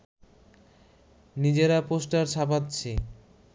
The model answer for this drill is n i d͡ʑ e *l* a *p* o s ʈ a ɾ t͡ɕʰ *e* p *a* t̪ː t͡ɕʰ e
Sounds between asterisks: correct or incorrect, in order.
incorrect: ɾ, correct, incorrect: a, correct

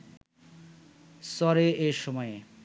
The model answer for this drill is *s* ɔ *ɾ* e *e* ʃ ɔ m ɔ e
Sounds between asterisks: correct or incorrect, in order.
correct, correct, correct

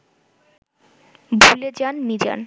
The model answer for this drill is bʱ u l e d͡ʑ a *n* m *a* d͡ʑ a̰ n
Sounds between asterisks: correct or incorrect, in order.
correct, incorrect: i

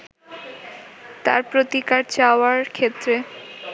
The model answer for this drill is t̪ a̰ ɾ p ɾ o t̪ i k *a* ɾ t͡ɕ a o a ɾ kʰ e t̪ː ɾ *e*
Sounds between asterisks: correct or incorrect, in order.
correct, correct

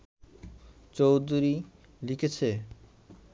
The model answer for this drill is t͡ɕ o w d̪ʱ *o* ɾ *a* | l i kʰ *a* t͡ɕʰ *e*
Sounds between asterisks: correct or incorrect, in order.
incorrect: u, incorrect: i, incorrect: e, correct

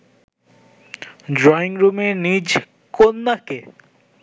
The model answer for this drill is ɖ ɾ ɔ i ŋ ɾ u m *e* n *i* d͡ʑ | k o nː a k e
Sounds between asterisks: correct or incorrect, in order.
correct, correct

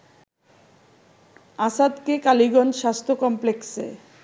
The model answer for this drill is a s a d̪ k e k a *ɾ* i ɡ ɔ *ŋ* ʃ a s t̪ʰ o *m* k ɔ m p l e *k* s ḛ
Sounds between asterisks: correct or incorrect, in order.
incorrect: l, incorrect: n, incorrect: none, correct

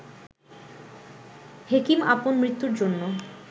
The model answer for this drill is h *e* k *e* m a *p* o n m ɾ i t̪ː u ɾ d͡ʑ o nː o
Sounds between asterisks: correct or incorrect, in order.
correct, incorrect: i, correct

